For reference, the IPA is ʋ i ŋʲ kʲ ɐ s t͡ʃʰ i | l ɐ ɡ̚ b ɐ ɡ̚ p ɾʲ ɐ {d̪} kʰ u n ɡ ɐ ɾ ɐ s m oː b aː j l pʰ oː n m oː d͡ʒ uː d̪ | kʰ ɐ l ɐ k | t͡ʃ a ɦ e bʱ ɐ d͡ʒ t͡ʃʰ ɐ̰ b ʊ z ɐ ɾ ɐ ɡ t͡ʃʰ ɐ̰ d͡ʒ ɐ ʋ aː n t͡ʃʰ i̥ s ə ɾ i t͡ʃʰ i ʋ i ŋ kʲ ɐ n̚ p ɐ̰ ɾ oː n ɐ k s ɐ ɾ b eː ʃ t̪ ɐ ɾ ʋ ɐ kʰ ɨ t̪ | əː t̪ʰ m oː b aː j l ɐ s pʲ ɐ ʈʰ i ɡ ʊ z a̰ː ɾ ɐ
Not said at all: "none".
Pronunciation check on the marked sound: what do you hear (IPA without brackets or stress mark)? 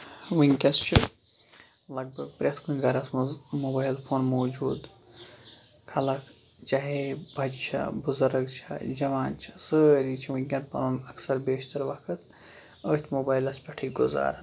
t̪